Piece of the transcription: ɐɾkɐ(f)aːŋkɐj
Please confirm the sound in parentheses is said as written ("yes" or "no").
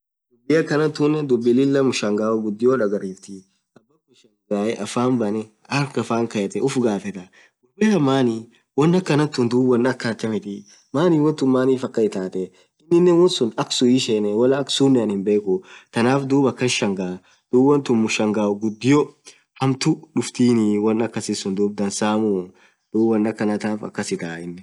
yes